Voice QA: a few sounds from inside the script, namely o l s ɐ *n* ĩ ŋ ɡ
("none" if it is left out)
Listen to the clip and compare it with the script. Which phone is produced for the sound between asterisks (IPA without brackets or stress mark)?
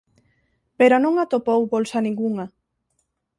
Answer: n